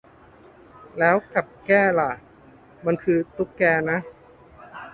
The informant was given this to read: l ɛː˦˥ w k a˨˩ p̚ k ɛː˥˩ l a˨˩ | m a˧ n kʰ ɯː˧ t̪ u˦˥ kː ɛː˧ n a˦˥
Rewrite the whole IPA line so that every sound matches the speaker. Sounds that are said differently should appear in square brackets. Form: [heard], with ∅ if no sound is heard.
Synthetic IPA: l ɛː˦˥ w k a˨˩ p̚ k ɛː˥˩ l a˨˩ | m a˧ n kʰ ɯː˧ t̪ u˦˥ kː ɛː˧ n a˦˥